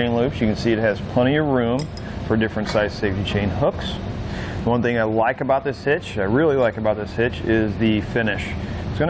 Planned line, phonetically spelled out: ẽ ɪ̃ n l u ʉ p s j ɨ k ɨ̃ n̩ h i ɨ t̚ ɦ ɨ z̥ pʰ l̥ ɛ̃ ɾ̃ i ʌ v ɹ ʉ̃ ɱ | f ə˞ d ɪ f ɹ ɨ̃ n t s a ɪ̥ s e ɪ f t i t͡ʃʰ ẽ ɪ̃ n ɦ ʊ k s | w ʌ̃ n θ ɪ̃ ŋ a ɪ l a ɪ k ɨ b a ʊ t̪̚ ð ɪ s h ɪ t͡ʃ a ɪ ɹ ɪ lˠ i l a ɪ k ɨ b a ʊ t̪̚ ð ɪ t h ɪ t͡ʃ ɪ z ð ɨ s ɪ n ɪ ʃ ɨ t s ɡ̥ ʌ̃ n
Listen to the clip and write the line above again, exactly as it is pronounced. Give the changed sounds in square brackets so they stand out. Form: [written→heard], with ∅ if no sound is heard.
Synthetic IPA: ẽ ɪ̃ n l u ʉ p s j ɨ k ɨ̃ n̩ [h→s] i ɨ t̚ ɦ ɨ z̥ pʰ l̥ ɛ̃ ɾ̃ i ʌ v ɹ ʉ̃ ɱ | f ə˞ d ɪ f ɹ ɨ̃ n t s a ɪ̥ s e ɪ f t i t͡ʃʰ ẽ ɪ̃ n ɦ ʊ k s | w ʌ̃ n θ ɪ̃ ŋ a ɪ l a ɪ k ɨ b a ʊ t̪̚ ð ɪ s h ɪ t͡ʃ a ɪ ɹ ɪ lˠ i l a ɪ k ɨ b a ʊ t̪̚ ð ɪ [t→s] h ɪ t͡ʃ ɪ z ð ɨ [s→f] ɪ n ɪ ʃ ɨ t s ɡ̥ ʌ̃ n